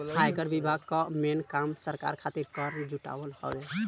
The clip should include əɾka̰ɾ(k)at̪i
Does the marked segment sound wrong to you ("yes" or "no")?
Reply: yes